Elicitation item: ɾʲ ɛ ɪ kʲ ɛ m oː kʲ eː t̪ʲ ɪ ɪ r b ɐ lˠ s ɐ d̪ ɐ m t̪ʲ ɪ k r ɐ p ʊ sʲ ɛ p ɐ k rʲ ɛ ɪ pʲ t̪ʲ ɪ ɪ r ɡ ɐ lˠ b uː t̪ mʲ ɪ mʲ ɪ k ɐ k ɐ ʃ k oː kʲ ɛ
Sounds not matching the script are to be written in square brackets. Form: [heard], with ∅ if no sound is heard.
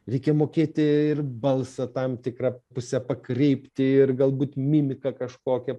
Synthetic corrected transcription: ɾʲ ɛ ɪ kʲ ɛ m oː kʲ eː t̪ʲ ɪ ɪ r b ɐ lˠ s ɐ [t̪] ɐ m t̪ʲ ɪ k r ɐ p ʊ sʲ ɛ p ɐ k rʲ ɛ ɪ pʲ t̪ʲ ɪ ɪ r ɡ ɐ lˠ b uː t̪ mʲ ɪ mʲ ɪ k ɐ k ɐ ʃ k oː kʲ ɛ